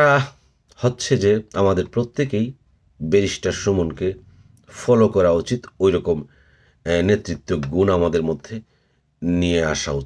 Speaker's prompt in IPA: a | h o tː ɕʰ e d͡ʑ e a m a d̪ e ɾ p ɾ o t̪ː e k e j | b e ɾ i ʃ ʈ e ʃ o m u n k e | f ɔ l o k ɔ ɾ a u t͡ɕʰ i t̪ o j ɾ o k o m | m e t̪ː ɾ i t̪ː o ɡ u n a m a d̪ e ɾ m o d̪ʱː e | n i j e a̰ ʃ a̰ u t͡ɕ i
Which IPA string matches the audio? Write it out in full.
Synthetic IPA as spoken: a | h o tː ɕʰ e d͡ʑ e a m a d̪ e ɾ p ɾ o t̪ː e k e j | b e ɾ i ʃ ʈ a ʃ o m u n k e | f ɔ l o k ɔ ɾ a u t͡ɕ i t̪ o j ɾ ɔ k o m | n e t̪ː ɾ i t̪ː o ɡ u n a m a d̪ e ɾ m o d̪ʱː e | n i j e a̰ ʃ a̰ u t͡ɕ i